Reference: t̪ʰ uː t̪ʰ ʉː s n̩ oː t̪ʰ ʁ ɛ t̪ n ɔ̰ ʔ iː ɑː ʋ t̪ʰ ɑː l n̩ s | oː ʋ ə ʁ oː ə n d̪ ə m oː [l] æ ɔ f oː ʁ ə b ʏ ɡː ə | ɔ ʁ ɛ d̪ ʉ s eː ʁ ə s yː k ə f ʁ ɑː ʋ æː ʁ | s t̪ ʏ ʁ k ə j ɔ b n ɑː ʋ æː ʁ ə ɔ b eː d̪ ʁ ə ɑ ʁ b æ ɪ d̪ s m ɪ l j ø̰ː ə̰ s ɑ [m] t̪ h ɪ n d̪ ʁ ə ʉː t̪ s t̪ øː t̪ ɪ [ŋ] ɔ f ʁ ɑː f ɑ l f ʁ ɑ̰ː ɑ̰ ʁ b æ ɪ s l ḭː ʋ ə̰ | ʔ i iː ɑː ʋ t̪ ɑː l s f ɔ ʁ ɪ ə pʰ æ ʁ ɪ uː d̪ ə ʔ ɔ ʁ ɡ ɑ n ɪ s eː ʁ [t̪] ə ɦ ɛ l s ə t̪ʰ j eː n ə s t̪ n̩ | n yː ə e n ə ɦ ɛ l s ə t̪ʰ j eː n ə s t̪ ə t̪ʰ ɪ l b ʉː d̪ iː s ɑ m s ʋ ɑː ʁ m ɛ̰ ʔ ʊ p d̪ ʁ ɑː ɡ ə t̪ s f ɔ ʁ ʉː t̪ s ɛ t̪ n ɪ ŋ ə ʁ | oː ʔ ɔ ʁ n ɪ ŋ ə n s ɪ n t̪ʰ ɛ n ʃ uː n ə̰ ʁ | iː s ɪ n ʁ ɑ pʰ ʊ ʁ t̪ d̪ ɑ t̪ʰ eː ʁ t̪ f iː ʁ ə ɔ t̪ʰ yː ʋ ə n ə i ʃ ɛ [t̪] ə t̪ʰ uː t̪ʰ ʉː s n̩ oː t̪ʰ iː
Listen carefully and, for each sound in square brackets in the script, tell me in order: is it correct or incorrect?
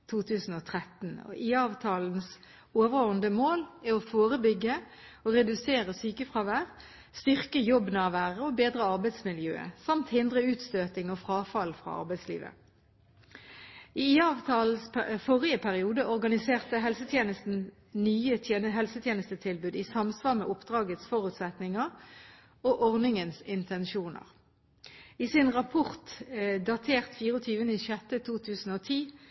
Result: correct, correct, correct, correct, correct

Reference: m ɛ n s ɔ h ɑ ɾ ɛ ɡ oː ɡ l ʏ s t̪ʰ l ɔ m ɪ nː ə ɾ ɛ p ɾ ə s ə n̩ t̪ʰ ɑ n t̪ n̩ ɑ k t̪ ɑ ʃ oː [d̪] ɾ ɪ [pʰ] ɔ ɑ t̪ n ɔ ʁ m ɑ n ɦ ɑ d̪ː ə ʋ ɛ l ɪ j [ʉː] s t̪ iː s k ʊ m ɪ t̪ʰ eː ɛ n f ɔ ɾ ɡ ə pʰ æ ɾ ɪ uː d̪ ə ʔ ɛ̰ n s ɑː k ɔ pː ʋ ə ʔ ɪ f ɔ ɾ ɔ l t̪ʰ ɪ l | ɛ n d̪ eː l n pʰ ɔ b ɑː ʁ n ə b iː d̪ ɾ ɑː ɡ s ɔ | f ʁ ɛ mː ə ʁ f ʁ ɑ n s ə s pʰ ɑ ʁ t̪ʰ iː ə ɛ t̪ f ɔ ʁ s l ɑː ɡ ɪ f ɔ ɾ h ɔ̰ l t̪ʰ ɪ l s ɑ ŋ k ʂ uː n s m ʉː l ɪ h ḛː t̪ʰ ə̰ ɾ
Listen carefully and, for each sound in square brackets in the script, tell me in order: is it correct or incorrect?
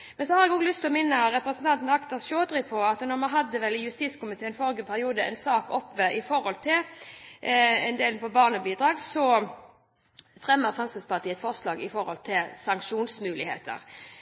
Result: correct, correct, incorrect

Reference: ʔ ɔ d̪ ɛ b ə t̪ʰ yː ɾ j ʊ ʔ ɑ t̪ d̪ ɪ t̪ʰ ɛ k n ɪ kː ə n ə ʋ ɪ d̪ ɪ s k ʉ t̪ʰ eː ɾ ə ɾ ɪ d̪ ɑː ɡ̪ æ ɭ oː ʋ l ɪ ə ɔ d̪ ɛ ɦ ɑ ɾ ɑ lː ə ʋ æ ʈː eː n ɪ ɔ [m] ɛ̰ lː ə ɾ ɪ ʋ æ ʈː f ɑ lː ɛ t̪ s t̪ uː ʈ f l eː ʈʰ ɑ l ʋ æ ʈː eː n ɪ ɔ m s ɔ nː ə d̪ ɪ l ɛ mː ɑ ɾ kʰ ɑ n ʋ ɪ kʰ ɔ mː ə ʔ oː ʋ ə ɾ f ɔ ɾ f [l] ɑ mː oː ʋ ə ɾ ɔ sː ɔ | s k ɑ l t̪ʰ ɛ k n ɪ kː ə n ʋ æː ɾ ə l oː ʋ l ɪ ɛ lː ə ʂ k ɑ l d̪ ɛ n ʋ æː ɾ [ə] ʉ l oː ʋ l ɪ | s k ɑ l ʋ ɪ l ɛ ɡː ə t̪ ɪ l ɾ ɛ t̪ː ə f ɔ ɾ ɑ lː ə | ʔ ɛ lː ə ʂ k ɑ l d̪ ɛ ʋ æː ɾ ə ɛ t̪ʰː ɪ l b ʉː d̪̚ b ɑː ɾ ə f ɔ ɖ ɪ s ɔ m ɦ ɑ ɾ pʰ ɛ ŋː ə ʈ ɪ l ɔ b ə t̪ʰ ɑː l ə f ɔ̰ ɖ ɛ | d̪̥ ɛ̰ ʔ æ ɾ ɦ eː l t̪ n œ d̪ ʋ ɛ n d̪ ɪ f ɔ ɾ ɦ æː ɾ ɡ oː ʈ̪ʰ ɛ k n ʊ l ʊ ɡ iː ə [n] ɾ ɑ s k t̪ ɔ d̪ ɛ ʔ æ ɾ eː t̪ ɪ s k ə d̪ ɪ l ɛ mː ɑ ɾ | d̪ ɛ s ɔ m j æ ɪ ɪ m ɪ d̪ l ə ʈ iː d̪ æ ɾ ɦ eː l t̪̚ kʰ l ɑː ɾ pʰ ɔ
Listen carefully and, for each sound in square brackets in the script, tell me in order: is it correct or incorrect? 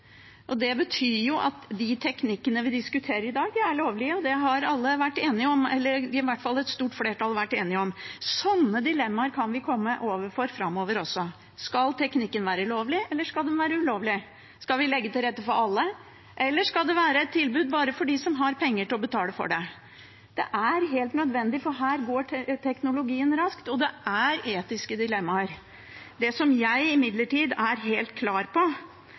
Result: correct, incorrect, correct, correct

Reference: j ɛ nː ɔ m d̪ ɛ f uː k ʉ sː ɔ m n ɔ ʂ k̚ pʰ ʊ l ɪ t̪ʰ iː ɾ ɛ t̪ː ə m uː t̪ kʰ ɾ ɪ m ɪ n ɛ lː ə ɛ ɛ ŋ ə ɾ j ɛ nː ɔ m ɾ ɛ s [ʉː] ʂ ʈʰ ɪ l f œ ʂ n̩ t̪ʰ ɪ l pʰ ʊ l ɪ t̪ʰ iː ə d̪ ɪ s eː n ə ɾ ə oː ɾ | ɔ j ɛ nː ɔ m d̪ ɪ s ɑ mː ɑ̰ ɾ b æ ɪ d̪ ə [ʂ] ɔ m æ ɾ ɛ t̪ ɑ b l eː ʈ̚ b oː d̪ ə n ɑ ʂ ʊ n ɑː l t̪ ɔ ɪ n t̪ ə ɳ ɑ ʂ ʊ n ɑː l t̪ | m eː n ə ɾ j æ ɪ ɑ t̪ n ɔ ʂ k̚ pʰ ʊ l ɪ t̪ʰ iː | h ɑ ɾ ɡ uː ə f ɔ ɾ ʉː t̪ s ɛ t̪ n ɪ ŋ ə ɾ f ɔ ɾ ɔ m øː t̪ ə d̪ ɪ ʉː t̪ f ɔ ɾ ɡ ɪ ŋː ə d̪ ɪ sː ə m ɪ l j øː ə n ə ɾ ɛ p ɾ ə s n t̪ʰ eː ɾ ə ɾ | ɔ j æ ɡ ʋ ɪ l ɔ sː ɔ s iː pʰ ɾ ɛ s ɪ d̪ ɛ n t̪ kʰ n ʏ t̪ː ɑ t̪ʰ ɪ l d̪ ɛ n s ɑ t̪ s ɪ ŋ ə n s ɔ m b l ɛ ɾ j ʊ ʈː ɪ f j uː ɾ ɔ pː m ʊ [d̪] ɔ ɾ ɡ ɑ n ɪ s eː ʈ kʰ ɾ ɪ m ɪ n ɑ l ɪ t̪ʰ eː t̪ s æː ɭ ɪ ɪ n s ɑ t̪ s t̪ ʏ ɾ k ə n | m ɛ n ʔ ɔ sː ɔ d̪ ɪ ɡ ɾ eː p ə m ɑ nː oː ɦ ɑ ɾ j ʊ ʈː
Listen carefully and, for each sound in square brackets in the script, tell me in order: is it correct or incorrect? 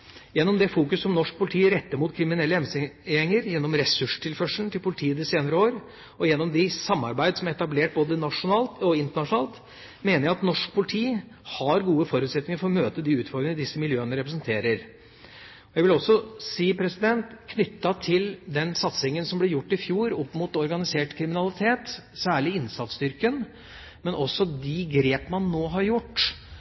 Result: incorrect, incorrect, incorrect

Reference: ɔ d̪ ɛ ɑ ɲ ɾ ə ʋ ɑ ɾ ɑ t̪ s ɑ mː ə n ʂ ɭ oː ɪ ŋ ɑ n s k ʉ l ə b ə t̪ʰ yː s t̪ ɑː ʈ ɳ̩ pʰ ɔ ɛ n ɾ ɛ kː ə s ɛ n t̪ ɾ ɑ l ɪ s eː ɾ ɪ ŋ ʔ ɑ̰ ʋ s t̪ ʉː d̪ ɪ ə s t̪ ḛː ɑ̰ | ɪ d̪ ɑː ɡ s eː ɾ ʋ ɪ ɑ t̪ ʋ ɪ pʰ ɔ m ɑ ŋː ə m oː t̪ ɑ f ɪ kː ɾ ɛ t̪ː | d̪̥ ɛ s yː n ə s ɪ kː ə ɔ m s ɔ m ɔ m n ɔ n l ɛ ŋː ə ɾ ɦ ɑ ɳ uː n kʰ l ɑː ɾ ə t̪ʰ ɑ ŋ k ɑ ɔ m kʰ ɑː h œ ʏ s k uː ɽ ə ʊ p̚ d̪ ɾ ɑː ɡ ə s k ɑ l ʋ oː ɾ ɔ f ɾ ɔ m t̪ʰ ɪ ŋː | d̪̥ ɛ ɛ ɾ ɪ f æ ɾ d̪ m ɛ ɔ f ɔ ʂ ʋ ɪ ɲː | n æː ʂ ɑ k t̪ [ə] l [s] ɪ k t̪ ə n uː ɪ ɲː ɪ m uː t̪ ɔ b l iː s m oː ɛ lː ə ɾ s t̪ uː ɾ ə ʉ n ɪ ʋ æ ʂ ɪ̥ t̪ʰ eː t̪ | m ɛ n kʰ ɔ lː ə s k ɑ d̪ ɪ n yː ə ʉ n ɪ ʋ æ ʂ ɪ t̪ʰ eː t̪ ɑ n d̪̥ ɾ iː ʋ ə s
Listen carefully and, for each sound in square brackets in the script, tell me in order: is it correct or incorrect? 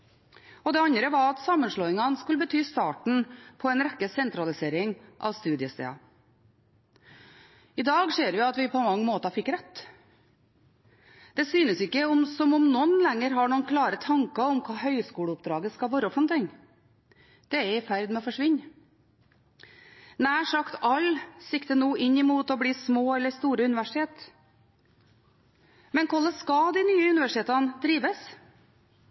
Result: incorrect, correct

